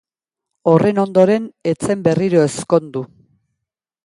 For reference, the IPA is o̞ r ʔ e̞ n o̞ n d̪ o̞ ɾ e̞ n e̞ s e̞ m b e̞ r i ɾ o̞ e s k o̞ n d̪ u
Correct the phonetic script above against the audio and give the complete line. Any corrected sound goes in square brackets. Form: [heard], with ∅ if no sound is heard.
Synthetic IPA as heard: o̞ r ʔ e̞ n o̞ n d̪ o̞ ɾ e̞ n e̞ [t͡s] e̞ m b e̞ r i ɾ o̞ e s k o̞ n d̪ u

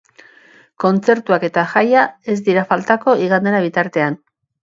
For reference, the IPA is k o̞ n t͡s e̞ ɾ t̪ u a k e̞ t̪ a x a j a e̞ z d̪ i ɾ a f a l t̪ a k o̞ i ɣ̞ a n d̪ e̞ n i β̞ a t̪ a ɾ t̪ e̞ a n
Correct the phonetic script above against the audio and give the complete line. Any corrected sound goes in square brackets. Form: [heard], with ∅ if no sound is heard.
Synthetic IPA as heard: k o̞ n t͡s e̞ ɾ t̪ u a k e̞ t̪ a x a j a e̞ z d̪ i ɾ a f a l t̪ a k o̞ i ɣ̞ a n d̪ e̞ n [a] β̞ [i] t̪ a ɾ t̪ e̞ a n

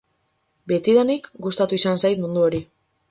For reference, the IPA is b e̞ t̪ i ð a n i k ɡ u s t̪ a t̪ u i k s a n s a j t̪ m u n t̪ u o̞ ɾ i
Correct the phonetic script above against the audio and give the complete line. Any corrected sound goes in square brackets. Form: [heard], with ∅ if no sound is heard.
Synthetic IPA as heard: b e̞ t̪ i ð a n i k ɡ u s t̪ a t̪ u i [∅] s a n s a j t̪ m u n [d̪] u o̞ ɾ i

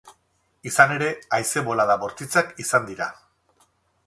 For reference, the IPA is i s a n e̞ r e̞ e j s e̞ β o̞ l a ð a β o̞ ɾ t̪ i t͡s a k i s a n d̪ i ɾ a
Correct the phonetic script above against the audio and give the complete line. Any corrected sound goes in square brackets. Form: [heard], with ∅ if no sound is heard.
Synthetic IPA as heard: i s a n e̞ [ɾ] e̞ [a] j s e̞ β o̞ l a ð a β o̞ ɾ t̪ i t͡s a k i s a n d̪ i ɾ a

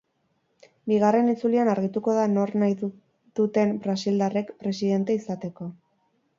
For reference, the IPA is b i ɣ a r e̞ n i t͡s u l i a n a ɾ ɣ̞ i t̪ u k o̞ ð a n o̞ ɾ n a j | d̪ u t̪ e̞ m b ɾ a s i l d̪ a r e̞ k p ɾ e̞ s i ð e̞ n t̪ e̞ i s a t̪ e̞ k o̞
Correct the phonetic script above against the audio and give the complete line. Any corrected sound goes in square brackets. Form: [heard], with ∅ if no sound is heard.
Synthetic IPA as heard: b i ɣ a r e̞ n i t͡s u l i a n a ɾ ɣ̞ i t̪ u k o̞ ð a n o̞ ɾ n a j | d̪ u t̪ e̞ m b ɾ a s i l d̪ a r e̞ k p ɾ e̞ s i ð e̞ n t̪ e̞ i s a t̪ e̞ k o̞

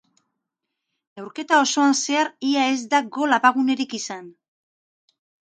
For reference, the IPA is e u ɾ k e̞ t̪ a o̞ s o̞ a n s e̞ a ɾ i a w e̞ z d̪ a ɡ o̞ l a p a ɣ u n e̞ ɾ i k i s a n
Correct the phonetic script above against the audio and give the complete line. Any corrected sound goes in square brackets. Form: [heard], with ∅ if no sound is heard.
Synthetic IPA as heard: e [w] ɾ k e̞ t̪ a o̞ s o̞ a n s e̞ a ɾ i a [∅] e̞ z d̪ a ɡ o̞ l a p a ɣ u n e̞ ɾ i k i s a n

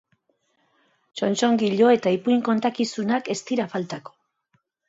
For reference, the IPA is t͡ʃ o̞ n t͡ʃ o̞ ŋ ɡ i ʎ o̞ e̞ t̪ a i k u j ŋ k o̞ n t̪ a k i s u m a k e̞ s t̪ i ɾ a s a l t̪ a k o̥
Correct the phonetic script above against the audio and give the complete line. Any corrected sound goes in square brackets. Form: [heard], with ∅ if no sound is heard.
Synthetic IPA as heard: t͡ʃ o̞ n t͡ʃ o̞ ŋ ɡ i ʎ o̞ e̞ t̪ a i [p] u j ŋ k o̞ n t̪ a k i s u [n] a k e̞ s t̪ i ɾ a [f] a l t̪ a k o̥

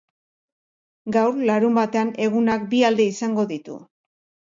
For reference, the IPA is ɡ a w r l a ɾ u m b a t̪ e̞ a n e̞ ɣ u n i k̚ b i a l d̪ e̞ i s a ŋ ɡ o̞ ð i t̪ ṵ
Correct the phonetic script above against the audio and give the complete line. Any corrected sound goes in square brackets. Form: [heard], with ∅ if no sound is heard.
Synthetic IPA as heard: ɡ a w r l a ɾ u m b a t̪ e̞ a n e̞ ɣ u n [a] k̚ b i a l d̪ e̞ i s a ŋ ɡ o̞ ð i t̪ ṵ

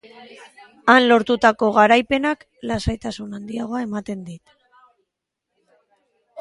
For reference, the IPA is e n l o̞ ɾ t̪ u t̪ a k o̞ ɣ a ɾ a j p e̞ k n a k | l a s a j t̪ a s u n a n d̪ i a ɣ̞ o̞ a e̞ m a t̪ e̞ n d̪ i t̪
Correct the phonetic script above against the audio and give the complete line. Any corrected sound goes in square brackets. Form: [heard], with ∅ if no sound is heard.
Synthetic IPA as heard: [a] n l o̞ ɾ t̪ u t̪ a k o̞ ɣ a ɾ a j p e̞ [∅] n a k | l a s a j t̪ a s u n a n d̪ i a ɣ̞ o̞ a e̞ m a t̪ e̞ n d̪ i t̪

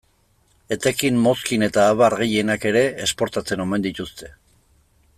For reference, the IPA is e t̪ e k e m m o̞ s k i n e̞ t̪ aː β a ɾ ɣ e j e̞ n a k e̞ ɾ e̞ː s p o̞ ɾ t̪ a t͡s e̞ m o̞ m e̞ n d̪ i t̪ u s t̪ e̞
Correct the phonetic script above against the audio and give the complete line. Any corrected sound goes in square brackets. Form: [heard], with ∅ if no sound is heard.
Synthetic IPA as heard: e t̪ e k [i] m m o̞ s k i n e̞ t̪ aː β a ɾ ɣ e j e̞ n a k e̞ ɾ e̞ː s p o̞ ɾ t̪ a t͡s e̞ [n] o̞ m e̞ n d̪ i t̪ u s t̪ e̞

